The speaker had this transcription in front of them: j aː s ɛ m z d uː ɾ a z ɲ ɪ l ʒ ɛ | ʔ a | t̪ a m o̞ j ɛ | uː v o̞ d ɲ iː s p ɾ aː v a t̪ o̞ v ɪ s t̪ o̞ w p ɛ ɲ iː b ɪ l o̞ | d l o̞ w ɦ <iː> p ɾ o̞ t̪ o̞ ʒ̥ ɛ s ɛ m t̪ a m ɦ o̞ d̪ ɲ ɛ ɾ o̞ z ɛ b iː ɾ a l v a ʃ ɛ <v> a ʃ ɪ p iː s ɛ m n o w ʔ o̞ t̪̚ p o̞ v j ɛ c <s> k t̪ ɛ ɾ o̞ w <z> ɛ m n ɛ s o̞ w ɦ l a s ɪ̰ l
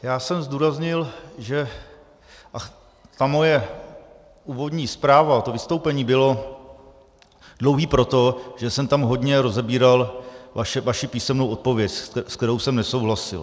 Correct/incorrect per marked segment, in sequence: correct, correct, correct, incorrect

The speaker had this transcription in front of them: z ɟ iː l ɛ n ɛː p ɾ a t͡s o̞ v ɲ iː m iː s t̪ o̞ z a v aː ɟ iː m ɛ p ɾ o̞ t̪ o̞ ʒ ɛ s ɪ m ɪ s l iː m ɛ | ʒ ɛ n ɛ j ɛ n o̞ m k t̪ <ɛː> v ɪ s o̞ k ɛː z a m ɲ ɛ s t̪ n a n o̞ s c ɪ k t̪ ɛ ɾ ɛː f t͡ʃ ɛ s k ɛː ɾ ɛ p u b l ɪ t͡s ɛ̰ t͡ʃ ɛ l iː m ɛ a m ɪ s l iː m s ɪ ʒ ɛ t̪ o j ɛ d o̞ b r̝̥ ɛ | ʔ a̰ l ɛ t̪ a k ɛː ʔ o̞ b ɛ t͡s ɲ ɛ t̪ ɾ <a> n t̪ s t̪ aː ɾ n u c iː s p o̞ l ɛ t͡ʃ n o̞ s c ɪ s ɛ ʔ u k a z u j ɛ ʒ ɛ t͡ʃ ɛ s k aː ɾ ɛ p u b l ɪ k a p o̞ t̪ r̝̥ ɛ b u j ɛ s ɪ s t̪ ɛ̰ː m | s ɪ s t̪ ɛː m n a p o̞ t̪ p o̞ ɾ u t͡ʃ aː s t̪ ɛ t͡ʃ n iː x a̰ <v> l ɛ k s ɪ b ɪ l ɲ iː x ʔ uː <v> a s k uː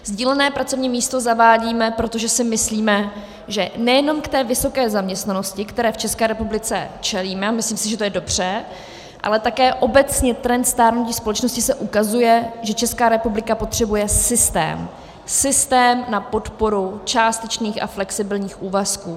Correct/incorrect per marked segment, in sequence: correct, incorrect, incorrect, correct

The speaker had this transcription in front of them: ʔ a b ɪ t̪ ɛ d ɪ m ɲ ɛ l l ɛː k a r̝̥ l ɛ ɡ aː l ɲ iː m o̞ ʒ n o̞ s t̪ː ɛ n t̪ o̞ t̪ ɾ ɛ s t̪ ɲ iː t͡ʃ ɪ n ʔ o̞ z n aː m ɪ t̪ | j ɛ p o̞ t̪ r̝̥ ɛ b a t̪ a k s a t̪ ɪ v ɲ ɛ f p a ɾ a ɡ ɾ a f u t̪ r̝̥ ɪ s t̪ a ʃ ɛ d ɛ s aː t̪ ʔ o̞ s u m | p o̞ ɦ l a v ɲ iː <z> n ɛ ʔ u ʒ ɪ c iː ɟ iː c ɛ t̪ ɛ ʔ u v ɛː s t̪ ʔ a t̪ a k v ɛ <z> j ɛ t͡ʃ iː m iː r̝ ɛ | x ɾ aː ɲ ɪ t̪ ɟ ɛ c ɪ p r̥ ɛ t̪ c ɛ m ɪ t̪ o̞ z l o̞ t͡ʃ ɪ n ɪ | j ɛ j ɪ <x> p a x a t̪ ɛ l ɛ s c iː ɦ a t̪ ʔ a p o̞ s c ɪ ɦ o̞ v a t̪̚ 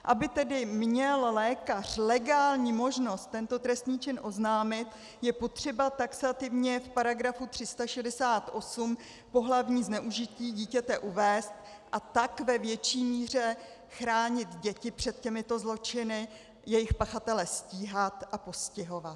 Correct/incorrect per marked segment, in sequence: correct, incorrect, correct

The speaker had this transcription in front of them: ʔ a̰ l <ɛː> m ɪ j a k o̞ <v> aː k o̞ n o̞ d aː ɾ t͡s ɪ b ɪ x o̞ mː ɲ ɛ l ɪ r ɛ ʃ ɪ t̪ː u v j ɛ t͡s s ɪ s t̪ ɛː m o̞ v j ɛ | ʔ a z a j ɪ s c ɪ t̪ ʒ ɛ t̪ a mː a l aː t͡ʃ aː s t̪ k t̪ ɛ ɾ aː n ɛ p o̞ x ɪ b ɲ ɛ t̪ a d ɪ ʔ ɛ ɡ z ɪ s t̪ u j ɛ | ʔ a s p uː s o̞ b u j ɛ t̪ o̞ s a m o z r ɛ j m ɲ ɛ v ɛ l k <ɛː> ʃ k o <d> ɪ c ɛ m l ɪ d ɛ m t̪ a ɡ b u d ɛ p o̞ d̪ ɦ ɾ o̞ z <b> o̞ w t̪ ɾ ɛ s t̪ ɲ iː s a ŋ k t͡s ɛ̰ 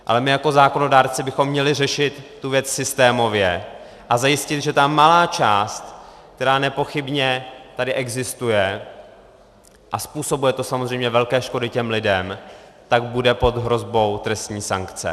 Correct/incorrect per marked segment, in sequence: incorrect, incorrect, correct, correct, correct

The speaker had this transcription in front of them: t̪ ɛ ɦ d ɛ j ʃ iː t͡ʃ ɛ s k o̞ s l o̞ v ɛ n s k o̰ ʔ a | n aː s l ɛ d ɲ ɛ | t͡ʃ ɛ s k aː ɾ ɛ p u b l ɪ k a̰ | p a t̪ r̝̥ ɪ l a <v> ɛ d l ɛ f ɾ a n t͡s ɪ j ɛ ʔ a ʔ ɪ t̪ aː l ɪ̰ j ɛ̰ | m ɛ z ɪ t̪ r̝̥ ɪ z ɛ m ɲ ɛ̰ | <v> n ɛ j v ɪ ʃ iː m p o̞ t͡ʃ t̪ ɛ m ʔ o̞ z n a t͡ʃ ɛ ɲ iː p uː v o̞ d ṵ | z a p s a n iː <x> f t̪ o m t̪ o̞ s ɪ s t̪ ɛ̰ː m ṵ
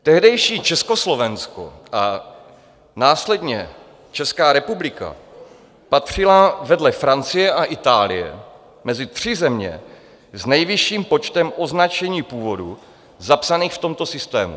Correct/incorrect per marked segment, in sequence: correct, incorrect, correct

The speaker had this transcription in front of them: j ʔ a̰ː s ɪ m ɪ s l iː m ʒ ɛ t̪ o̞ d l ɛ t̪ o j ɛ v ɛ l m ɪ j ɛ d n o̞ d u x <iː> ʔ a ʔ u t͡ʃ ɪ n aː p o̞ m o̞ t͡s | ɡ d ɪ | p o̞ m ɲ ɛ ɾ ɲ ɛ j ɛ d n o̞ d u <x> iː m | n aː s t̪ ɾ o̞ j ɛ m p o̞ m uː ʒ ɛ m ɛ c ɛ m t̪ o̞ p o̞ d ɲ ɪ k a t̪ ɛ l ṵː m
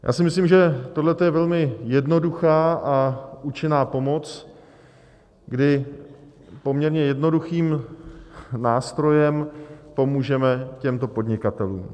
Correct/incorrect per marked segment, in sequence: incorrect, correct

